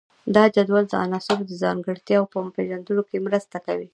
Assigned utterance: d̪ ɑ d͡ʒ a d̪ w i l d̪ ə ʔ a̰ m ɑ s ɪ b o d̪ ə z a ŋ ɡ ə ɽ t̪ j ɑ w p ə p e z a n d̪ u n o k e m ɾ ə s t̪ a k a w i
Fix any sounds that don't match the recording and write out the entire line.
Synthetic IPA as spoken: d̪ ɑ d͡ʒ a d̪ w a l d̪ ə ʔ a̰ n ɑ s ɪ b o d̪ ə z ɑ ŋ ɡ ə ɽ t̪ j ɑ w p ə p e ʒ a n d̪ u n o k e m ɾ ə s t̪ a k a w i